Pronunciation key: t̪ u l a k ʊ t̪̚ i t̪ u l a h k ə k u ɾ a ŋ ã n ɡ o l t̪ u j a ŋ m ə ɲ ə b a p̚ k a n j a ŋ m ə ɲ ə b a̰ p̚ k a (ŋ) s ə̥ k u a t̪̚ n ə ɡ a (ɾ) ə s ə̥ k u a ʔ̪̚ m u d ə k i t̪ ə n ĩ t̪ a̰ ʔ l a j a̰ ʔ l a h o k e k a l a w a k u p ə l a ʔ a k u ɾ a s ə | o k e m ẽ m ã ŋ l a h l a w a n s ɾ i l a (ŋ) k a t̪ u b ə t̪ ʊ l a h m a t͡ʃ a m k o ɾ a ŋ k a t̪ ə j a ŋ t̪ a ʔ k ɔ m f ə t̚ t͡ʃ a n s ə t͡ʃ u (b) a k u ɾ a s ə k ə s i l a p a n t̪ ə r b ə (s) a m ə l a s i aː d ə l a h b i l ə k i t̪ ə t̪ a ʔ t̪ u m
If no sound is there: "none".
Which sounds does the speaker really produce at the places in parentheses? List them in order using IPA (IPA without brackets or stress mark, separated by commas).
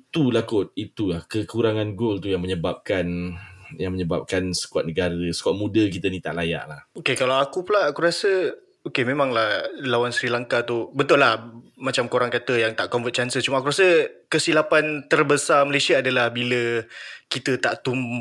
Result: n, ɾ, ŋ, m, s